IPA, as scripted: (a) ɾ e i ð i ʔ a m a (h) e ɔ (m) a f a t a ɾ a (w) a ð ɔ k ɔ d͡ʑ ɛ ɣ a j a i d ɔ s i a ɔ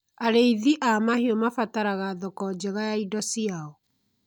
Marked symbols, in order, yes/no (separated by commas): yes, yes, yes, no